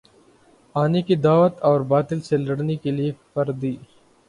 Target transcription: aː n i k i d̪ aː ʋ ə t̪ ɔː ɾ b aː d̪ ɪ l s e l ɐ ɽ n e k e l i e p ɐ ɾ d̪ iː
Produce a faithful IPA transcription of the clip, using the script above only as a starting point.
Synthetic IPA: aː n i k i d̪ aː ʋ ə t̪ ɔː ɾ b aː t̪ ɪ l s e l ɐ ɽ n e k e l i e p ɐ ɾ d̪ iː